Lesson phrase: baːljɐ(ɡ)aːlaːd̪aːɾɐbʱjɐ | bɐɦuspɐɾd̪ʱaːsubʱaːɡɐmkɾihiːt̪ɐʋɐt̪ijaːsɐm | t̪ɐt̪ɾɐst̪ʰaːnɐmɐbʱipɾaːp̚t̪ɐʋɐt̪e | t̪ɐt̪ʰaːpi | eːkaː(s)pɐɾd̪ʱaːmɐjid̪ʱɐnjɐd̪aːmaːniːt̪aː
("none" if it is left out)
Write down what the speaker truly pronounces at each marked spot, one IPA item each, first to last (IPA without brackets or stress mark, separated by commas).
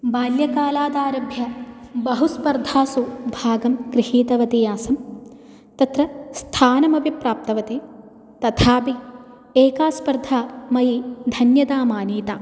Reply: k, s